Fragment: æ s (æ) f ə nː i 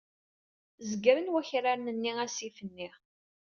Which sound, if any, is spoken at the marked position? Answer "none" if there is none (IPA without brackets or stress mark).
i